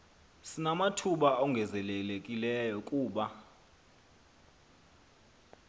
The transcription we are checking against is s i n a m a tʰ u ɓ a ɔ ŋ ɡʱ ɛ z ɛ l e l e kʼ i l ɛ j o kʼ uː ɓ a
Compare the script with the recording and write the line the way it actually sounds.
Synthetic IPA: s i n a m a tʰ u ɓ a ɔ ŋ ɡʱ ɛ z ɛ l e l e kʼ i l ɛ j ɔ kʼ uː ɓ a